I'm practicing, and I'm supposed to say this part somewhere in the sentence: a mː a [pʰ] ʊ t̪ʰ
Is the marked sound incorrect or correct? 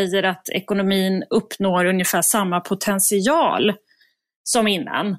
correct